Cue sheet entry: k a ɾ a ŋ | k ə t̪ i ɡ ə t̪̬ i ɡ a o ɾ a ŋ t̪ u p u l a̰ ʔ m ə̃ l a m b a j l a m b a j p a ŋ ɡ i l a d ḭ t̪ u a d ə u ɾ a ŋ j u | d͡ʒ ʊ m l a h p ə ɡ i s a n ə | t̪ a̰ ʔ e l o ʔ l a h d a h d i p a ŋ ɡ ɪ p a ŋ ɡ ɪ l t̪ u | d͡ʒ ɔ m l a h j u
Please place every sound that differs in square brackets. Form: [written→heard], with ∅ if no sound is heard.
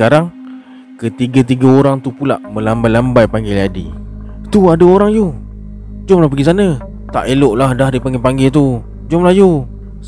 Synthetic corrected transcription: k a ɾ a ŋ | k ə t̪ i ɡ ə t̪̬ i ɡ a o ɾ a ŋ t̪ u p u l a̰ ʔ m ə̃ l a m b a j l a m b a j p a ŋ ɡ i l a d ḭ t̪ u a d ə [u→o] ɾ a ŋ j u | d͡ʒ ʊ m l a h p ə ɡ i s a n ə | t̪ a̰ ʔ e l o ʔ l a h d a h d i p a ŋ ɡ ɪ p a ŋ ɡ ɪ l t̪ u | d͡ʒ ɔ m l a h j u